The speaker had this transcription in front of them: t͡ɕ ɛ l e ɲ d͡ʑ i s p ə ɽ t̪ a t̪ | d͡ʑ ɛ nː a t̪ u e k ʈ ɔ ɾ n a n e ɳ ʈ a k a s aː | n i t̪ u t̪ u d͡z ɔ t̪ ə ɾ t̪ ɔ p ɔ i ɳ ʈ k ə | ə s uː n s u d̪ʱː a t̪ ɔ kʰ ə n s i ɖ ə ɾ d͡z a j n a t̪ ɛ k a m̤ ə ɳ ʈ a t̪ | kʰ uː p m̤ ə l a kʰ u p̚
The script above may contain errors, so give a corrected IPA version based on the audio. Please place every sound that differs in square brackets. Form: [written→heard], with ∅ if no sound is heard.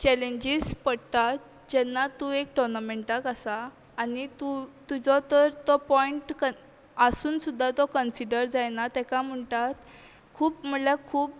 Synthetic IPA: t͡ɕ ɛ l e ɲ d͡ʑ i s p ə ɽ t̪ a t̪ | d͡ʑ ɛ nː a t̪ u e k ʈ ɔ ɾ n a [n→m] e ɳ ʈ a k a s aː | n i t̪ u t̪ u d͡z ɔ t̪ ə ɾ t̪ ɔ p ɔ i ɳ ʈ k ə | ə s uː n s u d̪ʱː a t̪ ɔ [kʰ→k] ə n s i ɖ ə ɾ d͡z a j n a t̪ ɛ k a m̤ ə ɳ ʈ a t̪ | kʰ uː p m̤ ə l a kʰ [u→uː] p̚